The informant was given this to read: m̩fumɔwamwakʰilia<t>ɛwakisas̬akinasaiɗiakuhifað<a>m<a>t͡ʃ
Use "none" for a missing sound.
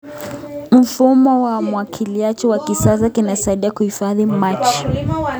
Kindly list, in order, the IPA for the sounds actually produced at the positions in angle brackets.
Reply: t͡ʃ, i, a

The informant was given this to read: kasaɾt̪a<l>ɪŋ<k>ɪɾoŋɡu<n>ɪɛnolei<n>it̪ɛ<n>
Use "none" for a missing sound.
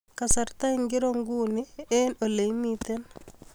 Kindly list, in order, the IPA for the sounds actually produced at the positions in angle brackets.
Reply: none, ɡ, n, m, n

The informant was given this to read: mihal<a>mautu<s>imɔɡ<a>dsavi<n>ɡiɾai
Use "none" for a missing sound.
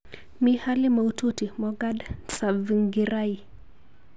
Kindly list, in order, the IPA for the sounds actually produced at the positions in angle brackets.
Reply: i, t, a, ŋ

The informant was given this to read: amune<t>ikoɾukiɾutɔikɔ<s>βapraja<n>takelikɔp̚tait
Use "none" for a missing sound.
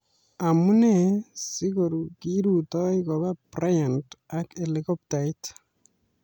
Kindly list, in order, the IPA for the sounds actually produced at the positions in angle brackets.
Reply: s, none, n

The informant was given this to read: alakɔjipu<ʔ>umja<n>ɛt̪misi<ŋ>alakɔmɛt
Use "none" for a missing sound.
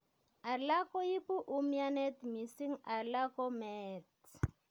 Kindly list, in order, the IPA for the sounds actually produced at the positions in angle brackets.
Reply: ʔ, n, ŋ

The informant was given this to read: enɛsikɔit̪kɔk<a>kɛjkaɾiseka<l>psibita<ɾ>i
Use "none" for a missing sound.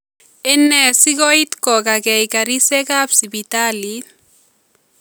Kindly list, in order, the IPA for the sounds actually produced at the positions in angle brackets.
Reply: a, none, l

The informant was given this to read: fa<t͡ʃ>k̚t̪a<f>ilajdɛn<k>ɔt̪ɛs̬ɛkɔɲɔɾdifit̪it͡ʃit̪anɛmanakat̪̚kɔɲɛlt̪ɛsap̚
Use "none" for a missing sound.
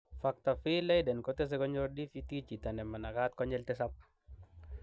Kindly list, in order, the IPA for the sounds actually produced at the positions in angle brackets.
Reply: none, f, k

